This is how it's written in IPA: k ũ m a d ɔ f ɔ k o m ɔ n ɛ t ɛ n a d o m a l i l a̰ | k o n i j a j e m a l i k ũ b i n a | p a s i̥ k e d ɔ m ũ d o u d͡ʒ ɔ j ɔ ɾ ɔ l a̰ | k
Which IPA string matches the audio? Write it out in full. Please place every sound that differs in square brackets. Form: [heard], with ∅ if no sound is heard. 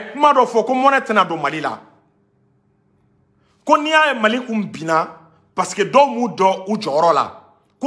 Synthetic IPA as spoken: k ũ m a d ɔ f ɔ k o m ɔ n ɛ t ɛ n a d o m a l i l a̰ | k o n i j a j e m a l i k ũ b i n a | p a s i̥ k e d ɔ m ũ d [ɔ] u d͡ʒ ɔ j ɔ ɾ ɔ l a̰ | k